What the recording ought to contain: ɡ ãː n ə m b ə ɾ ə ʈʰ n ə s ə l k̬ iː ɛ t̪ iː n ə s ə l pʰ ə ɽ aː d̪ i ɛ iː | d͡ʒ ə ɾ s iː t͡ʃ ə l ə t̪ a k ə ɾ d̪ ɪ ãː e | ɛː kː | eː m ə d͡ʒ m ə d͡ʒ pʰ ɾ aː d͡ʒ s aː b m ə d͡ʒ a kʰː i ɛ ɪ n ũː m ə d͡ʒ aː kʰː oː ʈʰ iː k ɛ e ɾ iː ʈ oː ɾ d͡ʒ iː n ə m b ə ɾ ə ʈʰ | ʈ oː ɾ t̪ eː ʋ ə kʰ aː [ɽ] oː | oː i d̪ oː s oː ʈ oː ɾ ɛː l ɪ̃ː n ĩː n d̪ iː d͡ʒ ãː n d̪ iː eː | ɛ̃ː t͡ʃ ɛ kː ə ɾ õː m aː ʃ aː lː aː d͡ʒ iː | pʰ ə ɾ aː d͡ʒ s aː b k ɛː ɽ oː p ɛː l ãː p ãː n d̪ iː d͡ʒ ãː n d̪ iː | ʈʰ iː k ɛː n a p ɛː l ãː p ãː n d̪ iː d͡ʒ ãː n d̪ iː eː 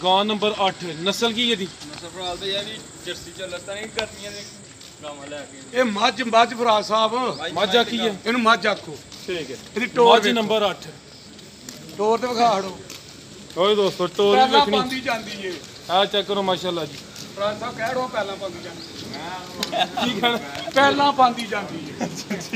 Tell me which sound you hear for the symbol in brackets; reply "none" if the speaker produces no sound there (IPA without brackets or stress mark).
ɽ